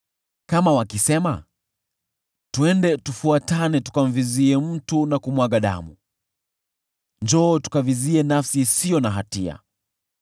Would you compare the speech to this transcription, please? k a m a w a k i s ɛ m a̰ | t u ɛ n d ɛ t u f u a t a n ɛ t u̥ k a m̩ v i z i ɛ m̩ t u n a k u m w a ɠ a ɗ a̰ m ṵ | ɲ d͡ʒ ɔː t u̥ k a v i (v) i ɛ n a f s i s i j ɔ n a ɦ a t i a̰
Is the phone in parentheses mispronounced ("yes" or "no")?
yes